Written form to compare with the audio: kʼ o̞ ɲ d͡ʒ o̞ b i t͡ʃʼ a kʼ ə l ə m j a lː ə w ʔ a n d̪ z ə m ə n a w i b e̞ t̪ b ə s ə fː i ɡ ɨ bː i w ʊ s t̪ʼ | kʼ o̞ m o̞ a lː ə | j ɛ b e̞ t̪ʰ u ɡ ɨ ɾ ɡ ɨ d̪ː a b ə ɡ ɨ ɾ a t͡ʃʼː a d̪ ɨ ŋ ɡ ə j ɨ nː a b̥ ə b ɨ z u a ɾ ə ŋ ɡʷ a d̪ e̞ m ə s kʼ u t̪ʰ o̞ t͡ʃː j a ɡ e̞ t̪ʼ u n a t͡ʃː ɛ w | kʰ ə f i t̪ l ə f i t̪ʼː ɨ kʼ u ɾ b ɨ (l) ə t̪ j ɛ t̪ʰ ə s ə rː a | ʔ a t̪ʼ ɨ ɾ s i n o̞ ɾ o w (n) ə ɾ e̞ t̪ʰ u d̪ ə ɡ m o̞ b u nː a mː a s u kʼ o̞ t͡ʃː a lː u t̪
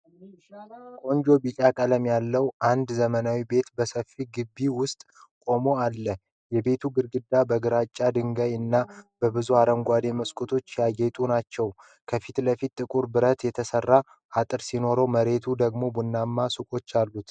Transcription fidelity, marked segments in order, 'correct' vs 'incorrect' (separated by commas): incorrect, incorrect